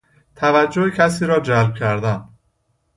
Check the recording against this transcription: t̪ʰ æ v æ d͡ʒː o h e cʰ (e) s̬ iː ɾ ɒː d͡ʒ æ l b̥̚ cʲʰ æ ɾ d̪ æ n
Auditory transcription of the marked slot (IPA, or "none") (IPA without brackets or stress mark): æ